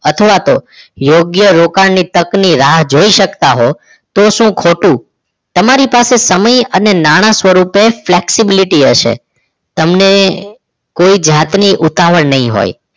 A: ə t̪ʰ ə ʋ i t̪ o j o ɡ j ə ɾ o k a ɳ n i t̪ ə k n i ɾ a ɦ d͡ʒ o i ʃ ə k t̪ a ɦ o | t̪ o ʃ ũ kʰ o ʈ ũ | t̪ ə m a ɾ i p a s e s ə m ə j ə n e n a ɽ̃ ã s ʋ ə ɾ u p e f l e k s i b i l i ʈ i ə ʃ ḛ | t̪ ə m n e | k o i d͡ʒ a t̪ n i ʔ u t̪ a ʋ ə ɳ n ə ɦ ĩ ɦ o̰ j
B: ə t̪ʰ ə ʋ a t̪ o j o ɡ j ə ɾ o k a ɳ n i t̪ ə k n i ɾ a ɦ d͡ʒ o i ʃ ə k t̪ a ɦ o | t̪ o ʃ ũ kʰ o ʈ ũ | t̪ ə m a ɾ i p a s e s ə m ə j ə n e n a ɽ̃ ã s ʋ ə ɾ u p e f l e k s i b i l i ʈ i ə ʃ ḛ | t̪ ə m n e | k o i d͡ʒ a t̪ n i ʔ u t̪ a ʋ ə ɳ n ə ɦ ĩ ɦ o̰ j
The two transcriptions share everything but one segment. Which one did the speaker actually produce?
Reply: B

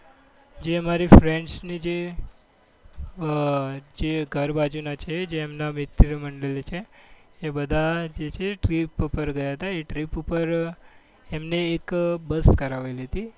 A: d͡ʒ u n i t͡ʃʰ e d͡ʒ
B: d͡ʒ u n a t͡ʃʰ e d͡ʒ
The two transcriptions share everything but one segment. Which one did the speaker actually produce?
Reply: B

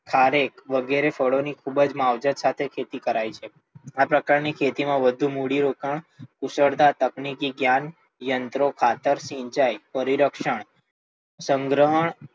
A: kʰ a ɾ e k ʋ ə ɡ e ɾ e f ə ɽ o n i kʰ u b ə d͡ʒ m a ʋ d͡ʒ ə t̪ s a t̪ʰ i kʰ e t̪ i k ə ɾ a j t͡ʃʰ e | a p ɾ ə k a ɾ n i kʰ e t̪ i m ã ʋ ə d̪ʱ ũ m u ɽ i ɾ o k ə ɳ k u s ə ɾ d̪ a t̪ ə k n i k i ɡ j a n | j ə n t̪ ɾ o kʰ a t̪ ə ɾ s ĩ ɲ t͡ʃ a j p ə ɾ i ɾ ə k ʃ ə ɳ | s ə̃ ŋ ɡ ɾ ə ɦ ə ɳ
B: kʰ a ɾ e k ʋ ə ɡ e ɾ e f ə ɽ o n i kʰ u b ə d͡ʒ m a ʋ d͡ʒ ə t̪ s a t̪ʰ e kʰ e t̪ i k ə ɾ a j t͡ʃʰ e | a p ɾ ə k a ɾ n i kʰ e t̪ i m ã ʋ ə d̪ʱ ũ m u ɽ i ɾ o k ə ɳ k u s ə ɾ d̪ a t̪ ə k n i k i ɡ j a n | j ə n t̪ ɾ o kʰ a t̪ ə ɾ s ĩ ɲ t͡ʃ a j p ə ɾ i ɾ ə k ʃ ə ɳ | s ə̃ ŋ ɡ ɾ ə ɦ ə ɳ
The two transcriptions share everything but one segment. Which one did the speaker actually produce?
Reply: B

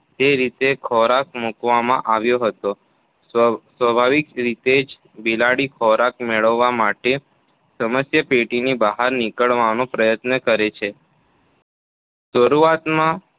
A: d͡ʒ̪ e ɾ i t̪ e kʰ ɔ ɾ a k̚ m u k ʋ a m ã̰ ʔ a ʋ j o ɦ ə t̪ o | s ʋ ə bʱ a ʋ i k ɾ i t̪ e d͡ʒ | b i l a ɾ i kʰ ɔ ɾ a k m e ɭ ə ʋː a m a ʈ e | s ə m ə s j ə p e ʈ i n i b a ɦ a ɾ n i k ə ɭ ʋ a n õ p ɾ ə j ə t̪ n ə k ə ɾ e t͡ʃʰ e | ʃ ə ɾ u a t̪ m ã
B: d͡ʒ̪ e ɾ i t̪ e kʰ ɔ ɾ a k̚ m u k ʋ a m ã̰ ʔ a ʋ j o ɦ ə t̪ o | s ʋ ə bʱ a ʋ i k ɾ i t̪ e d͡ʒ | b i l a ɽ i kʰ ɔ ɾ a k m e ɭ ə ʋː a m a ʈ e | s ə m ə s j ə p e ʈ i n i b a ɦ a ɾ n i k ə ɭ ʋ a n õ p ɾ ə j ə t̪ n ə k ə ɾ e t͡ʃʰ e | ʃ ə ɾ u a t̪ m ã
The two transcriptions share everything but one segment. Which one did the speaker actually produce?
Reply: B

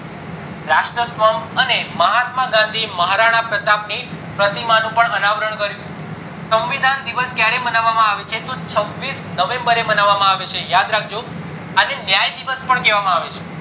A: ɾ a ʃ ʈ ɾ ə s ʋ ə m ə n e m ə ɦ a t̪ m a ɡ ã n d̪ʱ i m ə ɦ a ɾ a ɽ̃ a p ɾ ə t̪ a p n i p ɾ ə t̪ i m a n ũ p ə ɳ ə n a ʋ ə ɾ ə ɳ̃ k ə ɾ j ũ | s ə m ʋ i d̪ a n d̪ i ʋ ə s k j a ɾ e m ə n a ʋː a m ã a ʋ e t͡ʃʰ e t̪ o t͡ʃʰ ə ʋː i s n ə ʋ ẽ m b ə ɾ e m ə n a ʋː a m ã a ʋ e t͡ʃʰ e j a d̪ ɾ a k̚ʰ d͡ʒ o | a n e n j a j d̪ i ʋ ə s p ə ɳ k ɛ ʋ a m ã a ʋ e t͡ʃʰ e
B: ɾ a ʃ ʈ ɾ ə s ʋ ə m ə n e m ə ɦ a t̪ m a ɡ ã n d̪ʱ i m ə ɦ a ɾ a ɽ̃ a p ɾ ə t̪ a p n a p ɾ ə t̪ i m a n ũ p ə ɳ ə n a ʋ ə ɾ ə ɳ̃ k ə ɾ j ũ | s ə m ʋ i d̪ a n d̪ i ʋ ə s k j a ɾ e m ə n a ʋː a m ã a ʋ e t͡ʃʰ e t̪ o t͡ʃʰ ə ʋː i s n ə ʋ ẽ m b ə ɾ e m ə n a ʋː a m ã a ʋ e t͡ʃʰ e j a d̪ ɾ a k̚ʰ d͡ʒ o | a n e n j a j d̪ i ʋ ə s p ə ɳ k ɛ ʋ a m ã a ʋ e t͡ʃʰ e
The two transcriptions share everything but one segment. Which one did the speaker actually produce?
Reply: A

